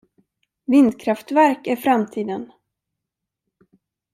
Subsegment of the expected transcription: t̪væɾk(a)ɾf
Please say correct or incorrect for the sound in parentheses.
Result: incorrect